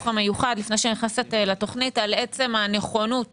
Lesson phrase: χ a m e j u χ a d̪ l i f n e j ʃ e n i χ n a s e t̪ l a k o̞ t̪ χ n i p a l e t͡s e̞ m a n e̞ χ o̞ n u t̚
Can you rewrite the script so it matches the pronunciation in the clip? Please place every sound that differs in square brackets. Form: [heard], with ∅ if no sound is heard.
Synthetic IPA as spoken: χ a m e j u χ a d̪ l i f n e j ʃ e n i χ n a s e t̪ l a [t] o̞ [∅] χ n i [t] a l e t͡s e̞ m a n e̞ χ o̞ n u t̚